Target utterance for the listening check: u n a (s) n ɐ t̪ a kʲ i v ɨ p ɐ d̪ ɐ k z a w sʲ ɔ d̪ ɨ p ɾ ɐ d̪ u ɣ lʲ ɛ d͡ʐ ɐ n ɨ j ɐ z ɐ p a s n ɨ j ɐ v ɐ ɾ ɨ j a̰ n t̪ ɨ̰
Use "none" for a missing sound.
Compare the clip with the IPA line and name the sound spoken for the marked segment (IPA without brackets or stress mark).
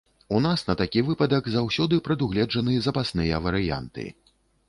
s